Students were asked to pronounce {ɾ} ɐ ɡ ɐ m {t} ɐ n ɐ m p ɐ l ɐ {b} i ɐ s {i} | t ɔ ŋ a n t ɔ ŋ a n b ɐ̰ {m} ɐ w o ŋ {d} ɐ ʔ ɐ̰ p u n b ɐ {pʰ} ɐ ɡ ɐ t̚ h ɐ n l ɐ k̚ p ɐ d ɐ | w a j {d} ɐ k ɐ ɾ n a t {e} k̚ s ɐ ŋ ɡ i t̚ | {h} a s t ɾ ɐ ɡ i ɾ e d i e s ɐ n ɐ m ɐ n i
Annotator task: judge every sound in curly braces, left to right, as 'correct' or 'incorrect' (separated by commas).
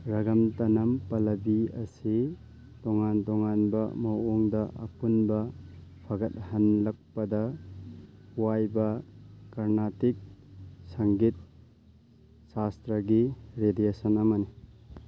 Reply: correct, correct, correct, correct, correct, correct, correct, incorrect, incorrect, incorrect